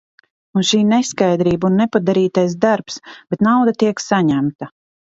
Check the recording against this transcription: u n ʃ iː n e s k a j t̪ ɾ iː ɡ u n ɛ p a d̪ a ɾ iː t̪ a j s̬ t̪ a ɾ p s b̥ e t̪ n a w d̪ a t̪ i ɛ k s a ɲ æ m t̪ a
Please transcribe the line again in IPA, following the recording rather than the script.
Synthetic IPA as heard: u n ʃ iː n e s k a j d̪ ɾ iː b u nː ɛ p a d̪ a ɾ iː t̪ a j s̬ d̪ a ɾ p s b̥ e t̪ n a w d̪ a t̪ i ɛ k s a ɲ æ m t̪ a

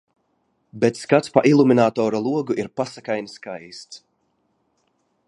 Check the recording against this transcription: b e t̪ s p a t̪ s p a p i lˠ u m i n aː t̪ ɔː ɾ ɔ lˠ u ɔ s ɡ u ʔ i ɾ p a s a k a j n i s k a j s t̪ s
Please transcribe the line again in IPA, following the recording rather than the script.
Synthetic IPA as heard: b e t̪ s k a t̪ s p a ʔ i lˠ u m i n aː t̪ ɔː ɾ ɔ lˠ u ɔ ɡ u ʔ i ɾ p a s a k a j n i s k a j s t̪ s

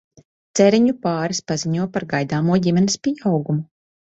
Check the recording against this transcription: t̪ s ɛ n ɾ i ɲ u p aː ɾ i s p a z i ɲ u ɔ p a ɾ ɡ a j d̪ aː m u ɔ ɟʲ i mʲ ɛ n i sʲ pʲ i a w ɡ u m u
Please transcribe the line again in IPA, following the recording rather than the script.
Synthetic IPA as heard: t̪ s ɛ ɾ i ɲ u p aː ɾ i s p a z i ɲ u ɔ p a ɾ ɡ a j d̪ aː m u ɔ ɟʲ i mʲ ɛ n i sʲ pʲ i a w ɡ u m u

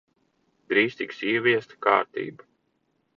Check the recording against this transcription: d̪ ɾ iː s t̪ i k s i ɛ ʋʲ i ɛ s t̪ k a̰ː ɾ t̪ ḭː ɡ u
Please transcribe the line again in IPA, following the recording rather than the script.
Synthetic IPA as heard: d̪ ɾ iː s t̪ i k s i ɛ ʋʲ i ɛ s t̪ k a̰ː ɾ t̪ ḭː b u

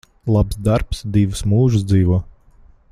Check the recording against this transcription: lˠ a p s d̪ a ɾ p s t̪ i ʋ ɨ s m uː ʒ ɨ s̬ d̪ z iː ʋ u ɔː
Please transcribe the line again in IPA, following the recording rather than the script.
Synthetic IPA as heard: lˠ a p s d̪ a ɾ p s d̪ i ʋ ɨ s m uː ʒ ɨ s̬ d̪ z iː ʋ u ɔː

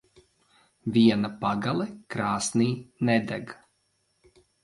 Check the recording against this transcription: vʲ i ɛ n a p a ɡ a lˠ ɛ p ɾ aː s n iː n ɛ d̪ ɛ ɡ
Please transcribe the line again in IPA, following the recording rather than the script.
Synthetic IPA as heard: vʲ i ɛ n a p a ɡ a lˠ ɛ k ɾ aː s n iː n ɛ d̪ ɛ ɡ

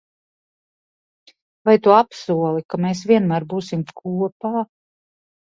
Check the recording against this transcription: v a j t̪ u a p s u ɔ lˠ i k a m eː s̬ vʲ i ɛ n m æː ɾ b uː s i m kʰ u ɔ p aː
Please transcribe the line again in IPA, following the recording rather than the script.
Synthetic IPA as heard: v a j t̪ u a p s u ɔ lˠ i k a m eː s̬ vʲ i ɛ n m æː ɾ b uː s i m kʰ u ɔ p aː

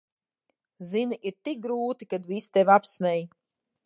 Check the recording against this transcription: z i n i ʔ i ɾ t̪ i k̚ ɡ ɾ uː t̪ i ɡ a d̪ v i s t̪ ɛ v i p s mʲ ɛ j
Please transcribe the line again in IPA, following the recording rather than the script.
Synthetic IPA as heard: z i n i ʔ i ɾ t̪ i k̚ ɡ ɾ uː t̪ i k a d̪ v i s t̪ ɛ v a p s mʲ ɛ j

